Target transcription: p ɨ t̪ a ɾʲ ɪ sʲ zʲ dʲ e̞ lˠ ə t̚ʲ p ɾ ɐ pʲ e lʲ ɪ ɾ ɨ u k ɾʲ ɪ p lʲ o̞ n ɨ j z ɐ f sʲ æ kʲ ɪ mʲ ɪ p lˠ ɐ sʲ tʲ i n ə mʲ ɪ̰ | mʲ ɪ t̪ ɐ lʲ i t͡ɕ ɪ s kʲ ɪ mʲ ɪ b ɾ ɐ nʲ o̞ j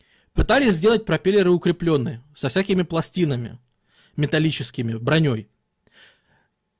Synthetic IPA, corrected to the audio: p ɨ t̪ a lʲ ɪ sʲ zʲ dʲ e̞ lˠ ə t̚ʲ p ɾ ɐ pʲ e lʲ ɪ ɾ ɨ ʊ k ɾʲ ɪ p lʲ o̞ nː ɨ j s ɐ f sʲ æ kʲ ɪ mʲ ɪ p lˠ ɐ sʲ tʲ i n ə mʲ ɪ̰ | mʲ ɪ t̪ ɐ lʲ i t͡ɕ ɪ s kʲ ɪ mʲ ɪ b ɾ ɐ nʲ o̞ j